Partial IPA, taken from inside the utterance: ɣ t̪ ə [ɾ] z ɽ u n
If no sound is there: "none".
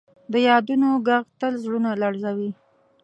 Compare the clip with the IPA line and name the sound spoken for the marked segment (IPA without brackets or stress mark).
l